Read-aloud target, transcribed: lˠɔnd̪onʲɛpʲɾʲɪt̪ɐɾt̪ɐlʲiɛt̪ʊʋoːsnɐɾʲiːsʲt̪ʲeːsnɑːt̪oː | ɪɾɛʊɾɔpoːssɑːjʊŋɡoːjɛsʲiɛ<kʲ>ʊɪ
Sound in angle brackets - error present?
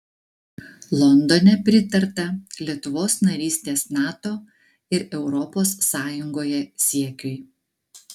no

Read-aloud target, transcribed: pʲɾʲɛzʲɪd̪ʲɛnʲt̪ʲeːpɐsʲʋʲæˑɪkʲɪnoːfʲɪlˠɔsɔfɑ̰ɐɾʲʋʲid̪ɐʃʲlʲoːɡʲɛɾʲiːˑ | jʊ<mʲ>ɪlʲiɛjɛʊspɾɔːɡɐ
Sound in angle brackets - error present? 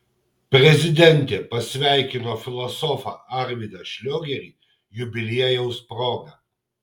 yes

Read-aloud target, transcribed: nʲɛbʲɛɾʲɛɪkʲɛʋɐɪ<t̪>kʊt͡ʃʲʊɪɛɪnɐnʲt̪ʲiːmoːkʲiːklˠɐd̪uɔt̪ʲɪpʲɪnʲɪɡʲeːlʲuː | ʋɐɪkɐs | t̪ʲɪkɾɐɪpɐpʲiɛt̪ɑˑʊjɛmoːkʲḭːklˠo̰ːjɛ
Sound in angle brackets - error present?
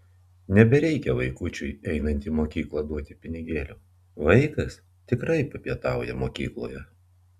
yes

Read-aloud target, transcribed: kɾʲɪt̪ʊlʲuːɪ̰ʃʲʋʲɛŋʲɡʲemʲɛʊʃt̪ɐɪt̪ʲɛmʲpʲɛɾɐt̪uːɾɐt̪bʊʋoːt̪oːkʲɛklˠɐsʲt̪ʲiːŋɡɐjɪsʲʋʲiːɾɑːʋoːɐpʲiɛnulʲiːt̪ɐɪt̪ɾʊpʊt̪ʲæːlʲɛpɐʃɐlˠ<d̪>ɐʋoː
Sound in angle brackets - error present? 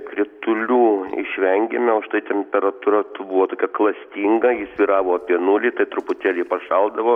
no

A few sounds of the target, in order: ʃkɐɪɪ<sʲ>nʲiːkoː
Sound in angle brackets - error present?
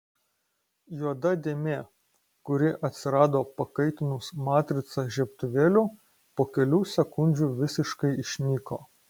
yes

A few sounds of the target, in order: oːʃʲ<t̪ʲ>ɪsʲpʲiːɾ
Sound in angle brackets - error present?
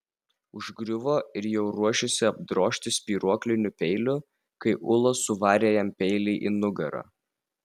no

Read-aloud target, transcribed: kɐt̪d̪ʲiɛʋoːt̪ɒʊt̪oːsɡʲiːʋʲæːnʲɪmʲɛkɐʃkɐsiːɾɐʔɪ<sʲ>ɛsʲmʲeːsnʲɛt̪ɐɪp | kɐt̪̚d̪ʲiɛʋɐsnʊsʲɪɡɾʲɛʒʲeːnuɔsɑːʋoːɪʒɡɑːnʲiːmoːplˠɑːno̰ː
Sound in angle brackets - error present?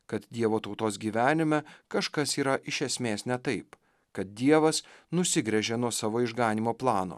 yes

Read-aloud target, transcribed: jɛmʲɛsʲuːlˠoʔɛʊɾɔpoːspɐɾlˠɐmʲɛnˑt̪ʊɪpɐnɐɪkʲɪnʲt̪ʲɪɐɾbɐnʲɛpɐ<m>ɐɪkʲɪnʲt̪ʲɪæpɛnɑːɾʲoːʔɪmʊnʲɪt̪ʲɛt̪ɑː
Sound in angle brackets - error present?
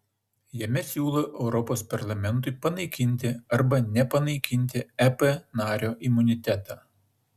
yes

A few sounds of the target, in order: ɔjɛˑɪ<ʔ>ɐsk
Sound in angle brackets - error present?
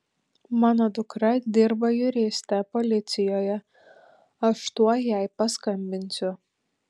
yes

